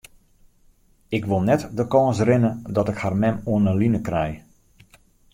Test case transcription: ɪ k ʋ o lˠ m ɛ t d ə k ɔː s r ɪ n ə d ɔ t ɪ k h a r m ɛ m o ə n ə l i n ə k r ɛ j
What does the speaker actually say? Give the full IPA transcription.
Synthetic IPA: ɪ k ʋ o lˠ n ɛ t d ə k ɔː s r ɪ n ə d ɔ t ɪ k h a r m ɛ m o ə n ə l i n ə k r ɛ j